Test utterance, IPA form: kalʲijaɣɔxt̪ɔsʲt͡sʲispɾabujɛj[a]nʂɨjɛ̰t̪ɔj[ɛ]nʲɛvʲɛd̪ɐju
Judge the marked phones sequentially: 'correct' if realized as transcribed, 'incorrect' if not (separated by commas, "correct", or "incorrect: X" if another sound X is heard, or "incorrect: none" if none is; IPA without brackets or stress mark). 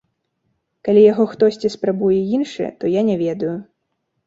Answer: incorrect: i, incorrect: a